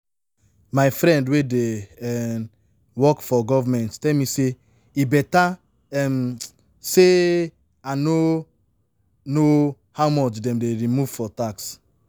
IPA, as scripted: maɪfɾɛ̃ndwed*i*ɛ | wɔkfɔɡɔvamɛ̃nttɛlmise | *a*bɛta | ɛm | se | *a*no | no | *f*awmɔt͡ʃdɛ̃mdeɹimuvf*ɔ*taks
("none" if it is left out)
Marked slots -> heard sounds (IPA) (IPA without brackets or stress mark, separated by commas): e, i, a, h, ɔ